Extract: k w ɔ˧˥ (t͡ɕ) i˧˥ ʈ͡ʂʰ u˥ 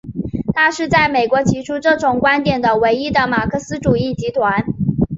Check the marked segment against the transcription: incorrect: t͡ɕʰ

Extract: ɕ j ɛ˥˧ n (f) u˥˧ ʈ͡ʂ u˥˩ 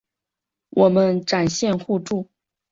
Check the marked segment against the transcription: incorrect: x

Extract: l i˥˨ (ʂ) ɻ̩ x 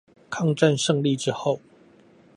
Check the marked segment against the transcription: incorrect: ʈ͡ʂ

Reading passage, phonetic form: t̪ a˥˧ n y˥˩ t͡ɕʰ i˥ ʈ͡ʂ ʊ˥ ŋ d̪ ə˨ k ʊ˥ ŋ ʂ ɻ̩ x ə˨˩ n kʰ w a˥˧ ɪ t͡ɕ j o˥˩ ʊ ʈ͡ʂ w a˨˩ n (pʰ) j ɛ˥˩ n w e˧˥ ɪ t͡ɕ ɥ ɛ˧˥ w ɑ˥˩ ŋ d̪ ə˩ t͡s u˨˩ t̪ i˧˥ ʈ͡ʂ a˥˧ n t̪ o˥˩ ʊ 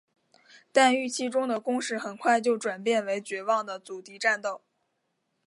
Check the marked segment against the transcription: incorrect: p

